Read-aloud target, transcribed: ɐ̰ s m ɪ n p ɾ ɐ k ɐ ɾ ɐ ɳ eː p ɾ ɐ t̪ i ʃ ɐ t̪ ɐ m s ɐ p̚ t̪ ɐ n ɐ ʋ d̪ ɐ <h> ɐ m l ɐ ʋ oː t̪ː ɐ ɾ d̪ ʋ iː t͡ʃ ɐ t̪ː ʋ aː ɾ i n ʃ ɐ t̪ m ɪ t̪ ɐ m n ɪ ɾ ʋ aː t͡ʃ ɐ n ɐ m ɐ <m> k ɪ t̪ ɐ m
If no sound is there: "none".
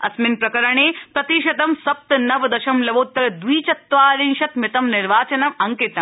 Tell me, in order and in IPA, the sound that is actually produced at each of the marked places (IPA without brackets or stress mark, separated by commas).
ʃ, ŋ